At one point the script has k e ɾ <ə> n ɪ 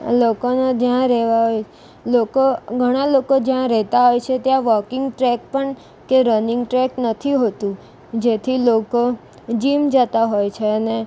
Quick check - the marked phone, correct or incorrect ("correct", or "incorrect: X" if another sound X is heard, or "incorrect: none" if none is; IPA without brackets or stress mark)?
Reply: correct